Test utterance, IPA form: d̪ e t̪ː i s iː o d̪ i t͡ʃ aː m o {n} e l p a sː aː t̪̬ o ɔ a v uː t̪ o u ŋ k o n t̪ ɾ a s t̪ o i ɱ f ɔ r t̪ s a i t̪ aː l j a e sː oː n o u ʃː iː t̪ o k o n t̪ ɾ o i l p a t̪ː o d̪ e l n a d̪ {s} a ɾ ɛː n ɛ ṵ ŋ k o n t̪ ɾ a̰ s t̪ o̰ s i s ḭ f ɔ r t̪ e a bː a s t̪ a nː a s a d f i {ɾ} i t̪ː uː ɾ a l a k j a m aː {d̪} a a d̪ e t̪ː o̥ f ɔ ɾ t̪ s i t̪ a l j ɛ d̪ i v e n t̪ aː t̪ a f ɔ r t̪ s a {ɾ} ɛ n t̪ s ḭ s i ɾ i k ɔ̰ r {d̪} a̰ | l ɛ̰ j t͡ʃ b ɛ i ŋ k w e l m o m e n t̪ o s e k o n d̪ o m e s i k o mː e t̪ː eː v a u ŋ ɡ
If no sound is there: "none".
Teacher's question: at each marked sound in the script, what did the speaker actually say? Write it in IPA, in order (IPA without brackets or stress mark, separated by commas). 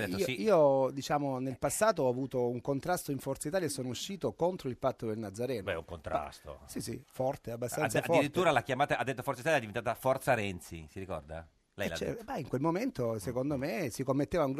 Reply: n, z, ɾ, t̪, ɾ, d̪